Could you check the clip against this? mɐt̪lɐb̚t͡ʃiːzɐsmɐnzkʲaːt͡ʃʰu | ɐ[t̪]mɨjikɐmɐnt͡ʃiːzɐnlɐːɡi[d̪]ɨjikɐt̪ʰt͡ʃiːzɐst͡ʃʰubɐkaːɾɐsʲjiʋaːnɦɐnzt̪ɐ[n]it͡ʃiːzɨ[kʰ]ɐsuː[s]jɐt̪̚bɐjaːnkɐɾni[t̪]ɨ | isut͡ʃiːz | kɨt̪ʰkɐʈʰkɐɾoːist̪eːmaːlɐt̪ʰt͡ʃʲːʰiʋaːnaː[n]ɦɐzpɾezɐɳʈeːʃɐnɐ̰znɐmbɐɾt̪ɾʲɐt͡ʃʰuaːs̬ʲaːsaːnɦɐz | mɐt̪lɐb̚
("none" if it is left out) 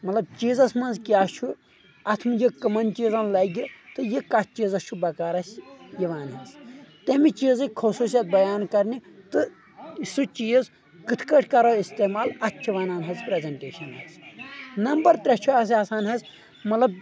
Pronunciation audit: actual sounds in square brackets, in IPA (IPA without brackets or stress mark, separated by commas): t̪ʰ, t̪, m, kʰ, s, t̪, n